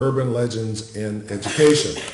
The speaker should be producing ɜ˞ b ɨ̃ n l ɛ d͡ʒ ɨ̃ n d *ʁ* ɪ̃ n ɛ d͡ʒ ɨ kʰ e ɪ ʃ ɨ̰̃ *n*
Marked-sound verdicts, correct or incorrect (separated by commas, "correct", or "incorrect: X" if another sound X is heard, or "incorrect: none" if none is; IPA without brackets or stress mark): incorrect: z, correct